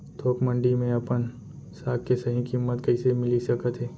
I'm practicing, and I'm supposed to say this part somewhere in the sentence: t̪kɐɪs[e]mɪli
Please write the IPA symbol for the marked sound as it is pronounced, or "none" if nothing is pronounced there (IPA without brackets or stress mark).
e